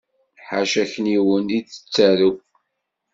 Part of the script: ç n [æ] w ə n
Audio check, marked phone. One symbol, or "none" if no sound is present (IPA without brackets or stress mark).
i